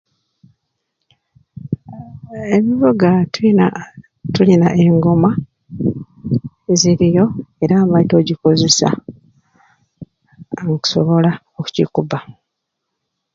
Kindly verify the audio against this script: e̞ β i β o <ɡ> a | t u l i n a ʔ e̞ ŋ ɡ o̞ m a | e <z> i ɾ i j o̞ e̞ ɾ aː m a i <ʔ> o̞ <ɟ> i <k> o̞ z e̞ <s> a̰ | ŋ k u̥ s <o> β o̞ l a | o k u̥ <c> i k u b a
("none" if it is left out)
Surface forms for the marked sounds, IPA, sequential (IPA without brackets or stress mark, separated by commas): ɡ, z, t, ɟ, k, s, o, c